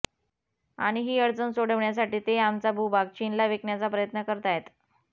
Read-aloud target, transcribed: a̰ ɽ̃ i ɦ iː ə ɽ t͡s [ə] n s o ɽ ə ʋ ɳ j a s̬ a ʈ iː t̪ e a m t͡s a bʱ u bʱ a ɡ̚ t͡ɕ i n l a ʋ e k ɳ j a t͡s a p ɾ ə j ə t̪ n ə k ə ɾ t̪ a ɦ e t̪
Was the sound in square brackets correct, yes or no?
yes